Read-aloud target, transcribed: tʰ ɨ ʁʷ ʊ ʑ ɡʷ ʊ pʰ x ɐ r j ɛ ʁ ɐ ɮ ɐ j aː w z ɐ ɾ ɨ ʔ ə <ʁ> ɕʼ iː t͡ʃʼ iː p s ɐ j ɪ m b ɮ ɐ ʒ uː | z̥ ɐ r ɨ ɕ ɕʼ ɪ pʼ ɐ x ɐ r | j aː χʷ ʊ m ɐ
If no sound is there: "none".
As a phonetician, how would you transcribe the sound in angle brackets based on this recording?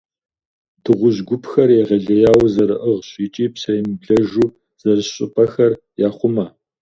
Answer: ʁ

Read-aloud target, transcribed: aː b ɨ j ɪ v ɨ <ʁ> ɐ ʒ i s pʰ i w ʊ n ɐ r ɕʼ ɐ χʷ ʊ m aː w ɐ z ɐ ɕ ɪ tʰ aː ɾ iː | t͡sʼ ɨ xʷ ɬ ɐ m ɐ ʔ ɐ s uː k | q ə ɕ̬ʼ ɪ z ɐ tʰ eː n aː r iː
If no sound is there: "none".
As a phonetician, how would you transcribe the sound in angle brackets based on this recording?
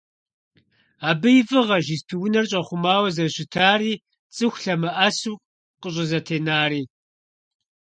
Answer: ʁ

